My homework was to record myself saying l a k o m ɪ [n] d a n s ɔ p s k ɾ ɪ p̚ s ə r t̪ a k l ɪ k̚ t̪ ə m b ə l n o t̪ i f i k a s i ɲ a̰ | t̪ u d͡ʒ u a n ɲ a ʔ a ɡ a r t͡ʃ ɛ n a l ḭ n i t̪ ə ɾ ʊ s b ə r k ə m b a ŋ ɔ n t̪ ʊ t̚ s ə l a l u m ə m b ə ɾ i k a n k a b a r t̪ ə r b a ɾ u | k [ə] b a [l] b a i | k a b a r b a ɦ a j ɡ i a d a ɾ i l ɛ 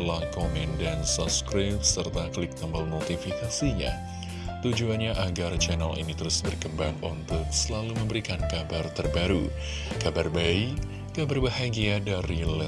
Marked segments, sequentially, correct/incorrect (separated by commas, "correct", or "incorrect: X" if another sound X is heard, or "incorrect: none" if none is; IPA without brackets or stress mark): correct, incorrect: a, incorrect: r